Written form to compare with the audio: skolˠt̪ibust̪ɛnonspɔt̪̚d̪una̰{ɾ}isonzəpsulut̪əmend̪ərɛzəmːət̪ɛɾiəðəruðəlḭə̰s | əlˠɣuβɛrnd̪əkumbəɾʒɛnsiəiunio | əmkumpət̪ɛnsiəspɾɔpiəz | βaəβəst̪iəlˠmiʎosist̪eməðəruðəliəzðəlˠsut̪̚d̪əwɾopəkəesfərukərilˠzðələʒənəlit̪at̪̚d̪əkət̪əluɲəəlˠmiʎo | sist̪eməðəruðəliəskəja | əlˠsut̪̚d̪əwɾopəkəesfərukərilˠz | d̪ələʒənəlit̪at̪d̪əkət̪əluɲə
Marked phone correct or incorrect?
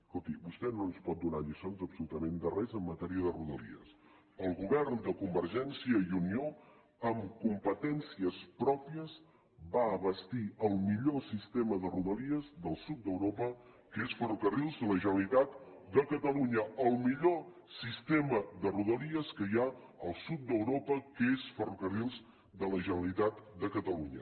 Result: incorrect